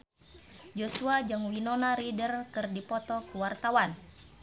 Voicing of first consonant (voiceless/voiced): voiced